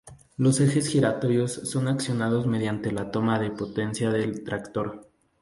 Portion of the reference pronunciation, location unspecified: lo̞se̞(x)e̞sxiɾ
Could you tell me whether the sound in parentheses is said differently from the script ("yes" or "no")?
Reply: no